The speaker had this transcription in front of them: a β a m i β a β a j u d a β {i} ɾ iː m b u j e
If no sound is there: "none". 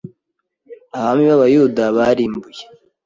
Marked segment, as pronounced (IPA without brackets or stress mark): a